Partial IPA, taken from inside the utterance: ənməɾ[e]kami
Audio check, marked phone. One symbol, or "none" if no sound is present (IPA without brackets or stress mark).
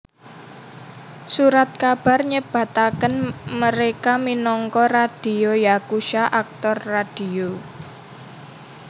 e